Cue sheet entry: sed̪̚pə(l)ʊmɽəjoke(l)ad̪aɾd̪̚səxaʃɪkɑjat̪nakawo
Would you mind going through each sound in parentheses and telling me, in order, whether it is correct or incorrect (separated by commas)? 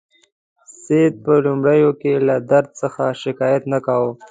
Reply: correct, correct